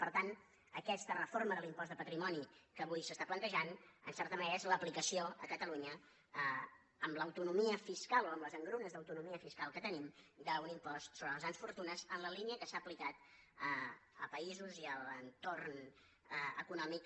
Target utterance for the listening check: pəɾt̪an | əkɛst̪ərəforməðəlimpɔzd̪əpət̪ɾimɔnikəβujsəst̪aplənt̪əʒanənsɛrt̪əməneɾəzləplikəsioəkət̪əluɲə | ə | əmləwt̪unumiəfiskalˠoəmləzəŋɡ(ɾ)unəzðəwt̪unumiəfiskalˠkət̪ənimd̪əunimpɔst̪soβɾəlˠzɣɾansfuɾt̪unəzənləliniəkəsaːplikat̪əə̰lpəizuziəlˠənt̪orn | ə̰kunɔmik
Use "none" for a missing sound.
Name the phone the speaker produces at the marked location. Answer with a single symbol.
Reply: ɾ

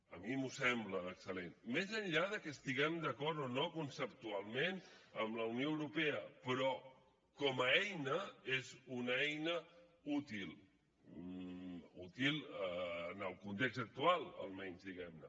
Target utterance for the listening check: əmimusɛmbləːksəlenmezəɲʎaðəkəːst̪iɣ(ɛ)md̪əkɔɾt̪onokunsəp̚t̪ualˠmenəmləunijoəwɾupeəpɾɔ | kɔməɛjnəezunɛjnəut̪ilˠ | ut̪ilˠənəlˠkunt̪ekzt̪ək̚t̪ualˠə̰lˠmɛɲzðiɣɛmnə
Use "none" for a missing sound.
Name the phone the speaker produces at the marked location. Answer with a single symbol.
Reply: ɛ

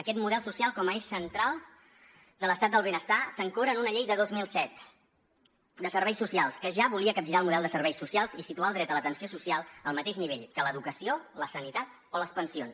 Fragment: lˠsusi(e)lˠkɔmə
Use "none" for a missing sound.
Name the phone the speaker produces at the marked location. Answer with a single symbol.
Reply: a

